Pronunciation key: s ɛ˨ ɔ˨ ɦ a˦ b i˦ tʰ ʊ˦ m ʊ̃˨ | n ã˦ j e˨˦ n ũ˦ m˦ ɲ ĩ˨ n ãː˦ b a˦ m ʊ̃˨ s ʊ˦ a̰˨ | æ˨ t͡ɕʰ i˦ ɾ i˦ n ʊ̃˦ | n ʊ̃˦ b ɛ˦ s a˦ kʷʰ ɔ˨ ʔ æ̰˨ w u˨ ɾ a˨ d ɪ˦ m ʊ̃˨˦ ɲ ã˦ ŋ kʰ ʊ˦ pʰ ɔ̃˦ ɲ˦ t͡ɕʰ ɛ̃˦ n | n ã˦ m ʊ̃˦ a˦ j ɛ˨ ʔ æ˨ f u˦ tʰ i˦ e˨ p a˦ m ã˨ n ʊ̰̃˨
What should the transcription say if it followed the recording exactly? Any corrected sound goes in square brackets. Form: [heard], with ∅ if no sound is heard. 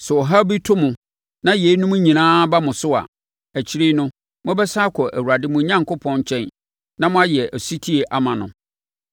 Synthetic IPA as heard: s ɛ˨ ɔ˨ ɦ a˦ b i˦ tʰ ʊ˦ m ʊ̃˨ | n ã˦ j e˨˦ n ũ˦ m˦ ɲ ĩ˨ n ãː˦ b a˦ m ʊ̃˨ s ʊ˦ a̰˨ | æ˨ t͡ɕʰ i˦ ɾ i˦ n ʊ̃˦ | [m] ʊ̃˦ b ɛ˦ s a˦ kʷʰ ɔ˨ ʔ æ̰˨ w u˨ ɾ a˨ d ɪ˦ m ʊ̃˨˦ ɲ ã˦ ŋ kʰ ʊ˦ pʰ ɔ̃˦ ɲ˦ t͡ɕʰ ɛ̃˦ n | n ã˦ m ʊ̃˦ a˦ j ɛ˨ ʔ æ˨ [s] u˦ tʰ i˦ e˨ [ʔ] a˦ m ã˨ n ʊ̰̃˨